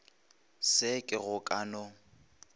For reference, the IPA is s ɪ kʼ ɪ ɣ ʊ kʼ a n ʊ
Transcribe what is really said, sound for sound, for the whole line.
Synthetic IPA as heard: s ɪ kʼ ɪ ɣ ʊ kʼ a n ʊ